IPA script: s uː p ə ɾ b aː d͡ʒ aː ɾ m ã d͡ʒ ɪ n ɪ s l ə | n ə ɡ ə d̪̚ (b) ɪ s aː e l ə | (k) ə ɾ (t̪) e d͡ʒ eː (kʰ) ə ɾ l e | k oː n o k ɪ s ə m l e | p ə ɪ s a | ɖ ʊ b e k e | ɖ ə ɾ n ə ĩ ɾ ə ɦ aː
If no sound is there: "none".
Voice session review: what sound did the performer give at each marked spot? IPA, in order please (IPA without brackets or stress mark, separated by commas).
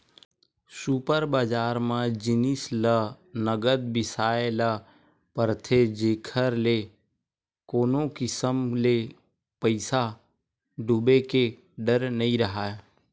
b, p, t̪ʰ, kʰ